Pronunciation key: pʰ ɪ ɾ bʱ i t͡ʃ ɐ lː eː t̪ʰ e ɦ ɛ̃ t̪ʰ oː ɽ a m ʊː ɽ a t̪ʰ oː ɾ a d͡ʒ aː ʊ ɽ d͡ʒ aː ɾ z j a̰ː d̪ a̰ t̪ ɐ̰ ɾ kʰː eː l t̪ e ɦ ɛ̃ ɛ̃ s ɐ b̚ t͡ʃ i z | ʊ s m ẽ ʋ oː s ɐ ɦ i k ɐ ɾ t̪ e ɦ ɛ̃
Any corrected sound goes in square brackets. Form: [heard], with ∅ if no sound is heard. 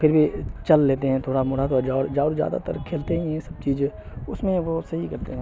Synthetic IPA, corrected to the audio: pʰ ɪ ɾ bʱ i t͡ʃ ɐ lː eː [t̪] e ɦ ɛ̃ t̪ʰ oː ɽ a m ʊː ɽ a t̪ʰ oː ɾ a d͡ʒ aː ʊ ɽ d͡ʒ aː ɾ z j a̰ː d̪ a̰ t̪ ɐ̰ ɾ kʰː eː l t̪ e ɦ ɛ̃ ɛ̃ s ɐ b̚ t͡ʃ [iː] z | ʊ s m ẽ ʋ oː s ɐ ɦ i k ɐ ɾ t̪ e ɦ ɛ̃

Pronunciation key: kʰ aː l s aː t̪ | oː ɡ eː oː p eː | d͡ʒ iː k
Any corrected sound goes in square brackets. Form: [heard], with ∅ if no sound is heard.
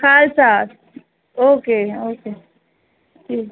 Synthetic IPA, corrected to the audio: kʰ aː l s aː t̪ | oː [k] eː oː [k] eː | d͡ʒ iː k

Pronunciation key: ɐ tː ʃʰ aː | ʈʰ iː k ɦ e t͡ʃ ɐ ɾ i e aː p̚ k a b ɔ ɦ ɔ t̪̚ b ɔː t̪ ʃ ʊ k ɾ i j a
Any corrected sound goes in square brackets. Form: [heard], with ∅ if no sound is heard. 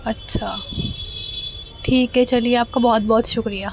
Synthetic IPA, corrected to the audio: ɐ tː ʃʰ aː | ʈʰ iː k ɦ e t͡ʃ ɐ [l] i e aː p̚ k a b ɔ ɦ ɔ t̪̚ b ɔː t̪ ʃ ʊ k ɾ i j a

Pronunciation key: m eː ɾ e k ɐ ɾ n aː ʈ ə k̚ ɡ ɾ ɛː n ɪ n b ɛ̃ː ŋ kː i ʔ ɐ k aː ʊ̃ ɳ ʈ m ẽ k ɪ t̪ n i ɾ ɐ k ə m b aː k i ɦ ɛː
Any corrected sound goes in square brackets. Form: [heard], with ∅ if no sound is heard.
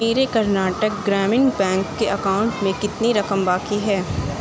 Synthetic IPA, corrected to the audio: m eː ɾ e k ɐ ɾ n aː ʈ ə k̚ ɡ ɾ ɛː [m] ɪ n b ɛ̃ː ŋ kː [e] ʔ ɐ k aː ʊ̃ ɳ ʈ m ẽ k ɪ t̪ n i ɾ ɐ k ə m b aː k i ɦ ɛː

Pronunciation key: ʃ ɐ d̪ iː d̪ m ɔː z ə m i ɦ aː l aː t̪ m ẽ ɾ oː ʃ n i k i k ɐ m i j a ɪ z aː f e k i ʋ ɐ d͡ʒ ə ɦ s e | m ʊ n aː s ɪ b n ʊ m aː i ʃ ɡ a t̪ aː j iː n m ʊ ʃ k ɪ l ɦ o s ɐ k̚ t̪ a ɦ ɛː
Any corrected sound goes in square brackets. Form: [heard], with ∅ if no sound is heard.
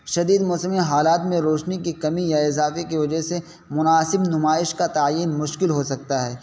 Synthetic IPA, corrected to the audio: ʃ ɐ d̪ iː d̪ m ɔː [s] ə m i ɦ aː l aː t̪ m ẽ ɾ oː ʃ n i k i k ɐ m i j a ɪ z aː f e k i ʋ ɐ d͡ʒ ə ɦ s e | m ʊ n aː s ɪ b n ʊ m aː [ɪ] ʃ [k] a t̪ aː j iː n m ʊ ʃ k ɪ l ɦ o s ɐ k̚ t̪ a ɦ ɛː

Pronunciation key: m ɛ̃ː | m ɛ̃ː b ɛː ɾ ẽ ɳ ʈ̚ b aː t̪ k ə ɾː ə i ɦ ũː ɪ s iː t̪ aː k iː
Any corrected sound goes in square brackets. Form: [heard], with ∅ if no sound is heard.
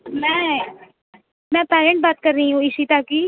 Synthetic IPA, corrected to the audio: m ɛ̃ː | m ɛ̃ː [p] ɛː ɾ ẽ ɳ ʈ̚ b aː t̪ k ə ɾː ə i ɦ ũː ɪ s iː t̪ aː k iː

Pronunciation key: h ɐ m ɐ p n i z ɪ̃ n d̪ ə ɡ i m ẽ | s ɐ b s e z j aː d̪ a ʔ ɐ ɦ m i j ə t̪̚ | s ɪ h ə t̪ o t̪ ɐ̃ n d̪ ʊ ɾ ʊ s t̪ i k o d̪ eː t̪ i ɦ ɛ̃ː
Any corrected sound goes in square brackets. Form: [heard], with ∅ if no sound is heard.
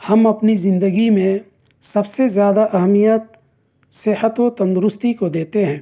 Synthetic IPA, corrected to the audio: h ɐ m ɐ p n i z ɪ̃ n d̪ ə ɡ i m ẽ | s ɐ b s e z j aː d̪ a ʔ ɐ ɦ m i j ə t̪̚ | s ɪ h ə t̪ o t̪ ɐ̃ n d̪ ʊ ɾ ʊ s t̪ i k o d̪ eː t̪ [e] ɦ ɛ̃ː

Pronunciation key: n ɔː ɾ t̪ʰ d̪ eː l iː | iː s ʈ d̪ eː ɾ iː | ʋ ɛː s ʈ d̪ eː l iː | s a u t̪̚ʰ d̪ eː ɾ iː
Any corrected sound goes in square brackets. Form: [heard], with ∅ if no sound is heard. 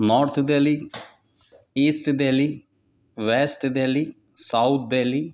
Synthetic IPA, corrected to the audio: n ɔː ɾ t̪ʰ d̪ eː l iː | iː s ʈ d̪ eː [l] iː | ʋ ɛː s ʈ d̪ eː l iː | s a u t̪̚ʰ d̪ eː [l] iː

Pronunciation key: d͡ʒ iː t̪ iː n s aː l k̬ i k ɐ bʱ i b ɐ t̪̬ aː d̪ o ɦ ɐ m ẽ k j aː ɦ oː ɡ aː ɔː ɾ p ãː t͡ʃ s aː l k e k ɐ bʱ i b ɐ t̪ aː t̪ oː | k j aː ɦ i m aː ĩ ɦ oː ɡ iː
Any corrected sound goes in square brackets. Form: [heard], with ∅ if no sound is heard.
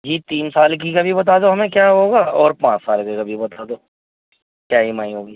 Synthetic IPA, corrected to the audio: d͡ʒ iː t̪ iː n s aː l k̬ i k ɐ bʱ i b ɐ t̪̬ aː d̪ o ɦ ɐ m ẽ k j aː ɦ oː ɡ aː ɔː ɾ p ãː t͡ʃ s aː l k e k ɐ bʱ i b ɐ t̪ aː [d̪] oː | k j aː ɦ i m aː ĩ ɦ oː ɡ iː

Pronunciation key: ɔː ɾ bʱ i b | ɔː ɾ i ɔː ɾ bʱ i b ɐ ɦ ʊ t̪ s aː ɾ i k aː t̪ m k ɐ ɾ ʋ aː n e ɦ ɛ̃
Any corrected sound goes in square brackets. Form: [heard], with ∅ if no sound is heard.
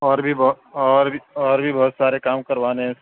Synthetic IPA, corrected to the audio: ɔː ɾ bʱ i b | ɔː ɾ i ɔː ɾ bʱ i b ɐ ɦ ʊ t̪ s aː ɾ [e] k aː [∅] m k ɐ ɾ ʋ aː n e ɦ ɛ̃

